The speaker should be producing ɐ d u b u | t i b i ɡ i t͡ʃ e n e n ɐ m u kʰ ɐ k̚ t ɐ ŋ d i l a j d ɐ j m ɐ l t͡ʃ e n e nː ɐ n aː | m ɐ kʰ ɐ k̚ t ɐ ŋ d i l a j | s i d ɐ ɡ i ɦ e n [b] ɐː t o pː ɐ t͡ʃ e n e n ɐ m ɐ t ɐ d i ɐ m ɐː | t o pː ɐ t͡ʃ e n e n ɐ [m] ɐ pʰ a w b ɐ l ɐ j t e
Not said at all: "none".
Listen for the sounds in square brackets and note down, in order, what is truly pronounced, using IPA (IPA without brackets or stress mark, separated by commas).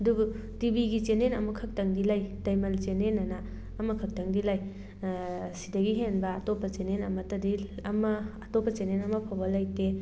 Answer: b, m